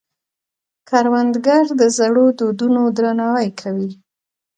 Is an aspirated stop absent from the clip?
no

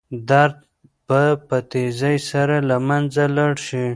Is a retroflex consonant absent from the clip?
no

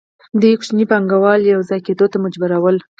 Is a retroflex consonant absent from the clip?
yes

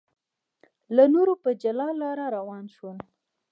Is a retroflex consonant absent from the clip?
yes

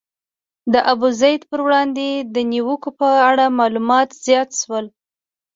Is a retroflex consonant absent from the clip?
no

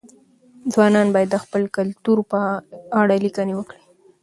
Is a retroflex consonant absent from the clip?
no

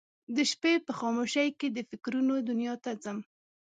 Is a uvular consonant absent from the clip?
yes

